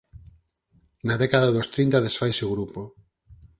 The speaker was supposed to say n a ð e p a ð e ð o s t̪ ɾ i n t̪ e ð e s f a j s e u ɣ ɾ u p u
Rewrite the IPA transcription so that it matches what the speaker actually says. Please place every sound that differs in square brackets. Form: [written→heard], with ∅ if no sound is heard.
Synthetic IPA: n a ð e [p→k] a ð [e→a] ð o s t̪ ɾ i n t̪ [e→a] ð e s f a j s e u ɣ ɾ u p [u→o]